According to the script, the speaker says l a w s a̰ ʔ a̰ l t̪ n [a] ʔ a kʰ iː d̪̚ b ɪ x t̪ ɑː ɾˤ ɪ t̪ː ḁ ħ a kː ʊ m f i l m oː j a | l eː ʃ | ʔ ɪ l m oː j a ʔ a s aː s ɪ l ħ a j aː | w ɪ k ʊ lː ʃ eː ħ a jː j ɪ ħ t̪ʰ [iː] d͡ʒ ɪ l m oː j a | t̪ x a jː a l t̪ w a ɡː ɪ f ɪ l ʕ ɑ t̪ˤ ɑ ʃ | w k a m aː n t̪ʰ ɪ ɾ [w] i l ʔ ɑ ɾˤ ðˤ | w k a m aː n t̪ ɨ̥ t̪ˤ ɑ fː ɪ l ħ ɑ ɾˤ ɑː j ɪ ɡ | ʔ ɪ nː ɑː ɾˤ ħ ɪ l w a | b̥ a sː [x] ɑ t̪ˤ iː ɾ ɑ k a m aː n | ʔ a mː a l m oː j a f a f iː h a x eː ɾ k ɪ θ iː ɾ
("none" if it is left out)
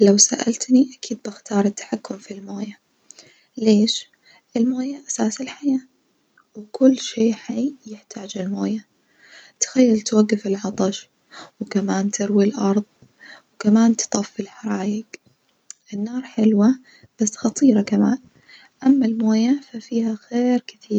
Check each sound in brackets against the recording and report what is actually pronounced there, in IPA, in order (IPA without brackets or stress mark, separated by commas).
i, aː, w, x